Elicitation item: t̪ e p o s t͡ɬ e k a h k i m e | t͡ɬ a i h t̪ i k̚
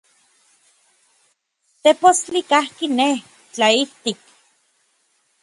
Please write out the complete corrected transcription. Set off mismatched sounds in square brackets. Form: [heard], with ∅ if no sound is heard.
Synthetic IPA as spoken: t̪ e p o s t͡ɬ [i] k a h k i [n] e | t͡ɬ a i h t̪ i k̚